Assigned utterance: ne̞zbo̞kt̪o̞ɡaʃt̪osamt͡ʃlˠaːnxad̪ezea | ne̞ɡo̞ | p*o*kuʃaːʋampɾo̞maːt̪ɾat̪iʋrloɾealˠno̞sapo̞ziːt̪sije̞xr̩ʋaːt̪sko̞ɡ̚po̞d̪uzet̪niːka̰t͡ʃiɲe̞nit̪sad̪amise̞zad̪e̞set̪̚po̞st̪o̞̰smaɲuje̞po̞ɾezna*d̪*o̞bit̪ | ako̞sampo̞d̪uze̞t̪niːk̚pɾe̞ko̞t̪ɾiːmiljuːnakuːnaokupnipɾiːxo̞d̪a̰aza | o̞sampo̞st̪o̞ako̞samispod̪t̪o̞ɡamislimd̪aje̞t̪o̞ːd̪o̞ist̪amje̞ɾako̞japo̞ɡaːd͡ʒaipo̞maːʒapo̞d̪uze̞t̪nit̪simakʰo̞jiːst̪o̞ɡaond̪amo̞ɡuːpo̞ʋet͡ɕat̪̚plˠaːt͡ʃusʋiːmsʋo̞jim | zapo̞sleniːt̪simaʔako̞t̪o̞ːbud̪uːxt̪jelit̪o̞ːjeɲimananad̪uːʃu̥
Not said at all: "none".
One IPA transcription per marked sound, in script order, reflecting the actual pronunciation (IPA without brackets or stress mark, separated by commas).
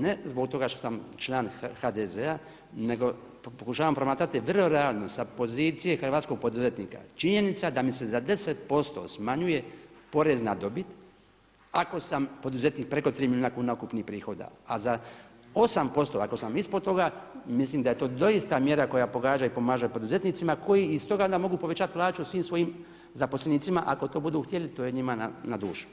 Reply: o, d̪